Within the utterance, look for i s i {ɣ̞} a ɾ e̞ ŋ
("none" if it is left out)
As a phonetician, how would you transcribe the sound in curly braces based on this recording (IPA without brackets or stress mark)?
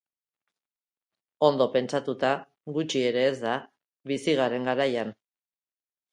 ɣ̞